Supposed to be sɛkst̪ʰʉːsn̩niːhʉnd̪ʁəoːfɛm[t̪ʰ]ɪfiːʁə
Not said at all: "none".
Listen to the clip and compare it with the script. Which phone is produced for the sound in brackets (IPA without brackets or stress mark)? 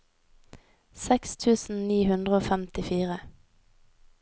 t̪